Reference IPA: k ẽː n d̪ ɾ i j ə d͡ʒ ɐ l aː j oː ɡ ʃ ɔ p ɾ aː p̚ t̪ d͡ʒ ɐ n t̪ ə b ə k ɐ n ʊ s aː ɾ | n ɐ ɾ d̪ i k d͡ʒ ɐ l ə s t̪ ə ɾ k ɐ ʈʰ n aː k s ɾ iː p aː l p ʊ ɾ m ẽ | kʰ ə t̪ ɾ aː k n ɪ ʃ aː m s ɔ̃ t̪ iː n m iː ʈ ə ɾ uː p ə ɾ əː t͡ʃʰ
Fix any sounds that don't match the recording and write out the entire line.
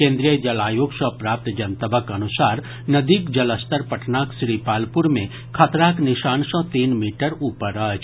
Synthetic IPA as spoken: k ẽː n d̪ ɾ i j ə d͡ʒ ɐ l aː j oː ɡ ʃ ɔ p ɾ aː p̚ t̪ d͡ʒ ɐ n t̪ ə b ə k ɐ n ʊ s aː ɾ | n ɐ d̪ i k d͡ʒ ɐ l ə s t̪ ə ɾ p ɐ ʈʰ n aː k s ɾ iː p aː l p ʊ ɾ m ẽ | kʰ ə t̪ ɾ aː k n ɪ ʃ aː n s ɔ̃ t̪ iː n m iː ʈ ə ɾ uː p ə ɾ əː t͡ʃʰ